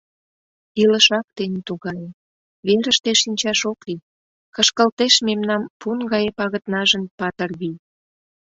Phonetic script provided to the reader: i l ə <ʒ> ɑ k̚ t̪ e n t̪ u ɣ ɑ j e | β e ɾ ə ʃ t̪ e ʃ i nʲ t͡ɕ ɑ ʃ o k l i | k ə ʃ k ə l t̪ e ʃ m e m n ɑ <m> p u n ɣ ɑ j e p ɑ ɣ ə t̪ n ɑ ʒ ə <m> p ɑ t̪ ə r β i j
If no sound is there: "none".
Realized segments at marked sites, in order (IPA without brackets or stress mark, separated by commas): ʃ, m, n